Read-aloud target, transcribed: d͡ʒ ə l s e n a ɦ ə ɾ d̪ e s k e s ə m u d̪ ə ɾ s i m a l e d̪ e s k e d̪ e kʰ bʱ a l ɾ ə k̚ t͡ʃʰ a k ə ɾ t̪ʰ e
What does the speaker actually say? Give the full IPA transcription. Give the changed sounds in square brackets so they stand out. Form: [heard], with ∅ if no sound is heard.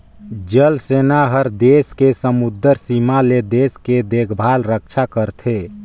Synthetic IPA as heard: d͡ʒ ə l s e n a ɦ ə ɾ d̪ e s k e s ə m u d̪ ə ɾ s i m a l e d̪ e s k e d̪ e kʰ bʱ a l ɾ ə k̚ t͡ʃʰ a k ə ɾ t̪ʰ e